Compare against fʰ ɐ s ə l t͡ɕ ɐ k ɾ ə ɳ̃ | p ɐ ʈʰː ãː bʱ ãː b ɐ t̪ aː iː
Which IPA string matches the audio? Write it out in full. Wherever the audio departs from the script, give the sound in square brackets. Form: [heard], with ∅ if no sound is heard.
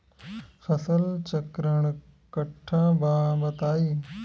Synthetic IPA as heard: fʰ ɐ s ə l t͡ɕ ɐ k ɾ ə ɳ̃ | [k] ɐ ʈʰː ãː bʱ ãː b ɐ t̪ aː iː